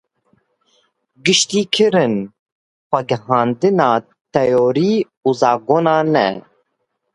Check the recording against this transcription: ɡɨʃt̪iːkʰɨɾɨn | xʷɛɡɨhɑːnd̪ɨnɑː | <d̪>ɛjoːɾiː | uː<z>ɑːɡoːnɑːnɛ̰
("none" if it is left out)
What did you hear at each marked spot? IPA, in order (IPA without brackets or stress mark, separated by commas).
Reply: t̪, z